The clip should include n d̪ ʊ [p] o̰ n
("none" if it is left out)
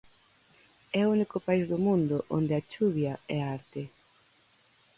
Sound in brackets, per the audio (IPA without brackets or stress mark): ʔ